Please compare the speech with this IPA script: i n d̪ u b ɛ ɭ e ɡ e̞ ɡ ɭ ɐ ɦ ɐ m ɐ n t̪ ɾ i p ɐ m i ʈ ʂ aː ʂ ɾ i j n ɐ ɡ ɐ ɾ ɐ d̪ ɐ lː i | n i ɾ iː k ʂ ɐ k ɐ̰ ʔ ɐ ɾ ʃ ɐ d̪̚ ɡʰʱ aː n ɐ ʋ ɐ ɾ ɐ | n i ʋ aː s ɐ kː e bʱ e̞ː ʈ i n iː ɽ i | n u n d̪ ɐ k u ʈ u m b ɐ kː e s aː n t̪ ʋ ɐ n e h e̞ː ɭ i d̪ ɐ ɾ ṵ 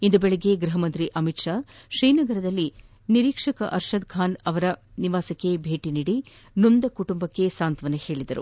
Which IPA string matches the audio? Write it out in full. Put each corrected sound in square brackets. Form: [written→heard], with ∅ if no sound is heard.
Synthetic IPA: i n d̪ u b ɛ ɭ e ɡ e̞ ɡ [ɭ→ɾ] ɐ ɦ ɐ m ɐ n t̪ ɾ i [p→ʔ] ɐ m i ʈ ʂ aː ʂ ɾ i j n ɐ ɡ ɐ ɾ ɐ d̪ ɐ lː i | n i ɾ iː k ʂ ɐ k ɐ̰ ʔ ɐ ɾ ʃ ɐ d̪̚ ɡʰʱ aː n ɐ ʋ ɐ ɾ ɐ | n i ʋ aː s ɐ kː e bʱ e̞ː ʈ i n iː ɽ i | n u n d̪ ɐ k u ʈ u m b ɐ kː e s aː n t̪ ʋ ɐ n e h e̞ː ɭ i d̪ ɐ ɾ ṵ